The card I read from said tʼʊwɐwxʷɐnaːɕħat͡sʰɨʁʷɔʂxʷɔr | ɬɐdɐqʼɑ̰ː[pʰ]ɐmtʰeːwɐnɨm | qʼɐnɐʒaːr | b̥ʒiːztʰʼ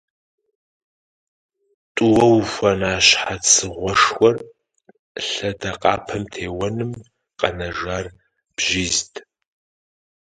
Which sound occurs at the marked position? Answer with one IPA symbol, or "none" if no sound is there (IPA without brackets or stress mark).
pʰ